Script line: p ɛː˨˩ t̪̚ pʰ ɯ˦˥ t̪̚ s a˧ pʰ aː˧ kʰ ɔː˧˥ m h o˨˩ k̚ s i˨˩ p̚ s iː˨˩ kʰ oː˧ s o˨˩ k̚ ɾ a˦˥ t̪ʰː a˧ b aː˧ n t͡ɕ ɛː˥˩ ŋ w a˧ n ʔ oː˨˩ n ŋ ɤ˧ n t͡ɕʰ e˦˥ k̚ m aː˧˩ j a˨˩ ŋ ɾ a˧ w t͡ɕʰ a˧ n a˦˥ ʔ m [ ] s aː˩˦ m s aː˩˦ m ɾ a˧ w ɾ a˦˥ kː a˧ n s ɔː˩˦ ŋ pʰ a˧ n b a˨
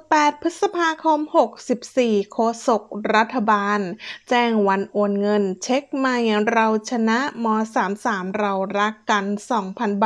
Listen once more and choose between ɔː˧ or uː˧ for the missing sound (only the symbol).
ɔː˧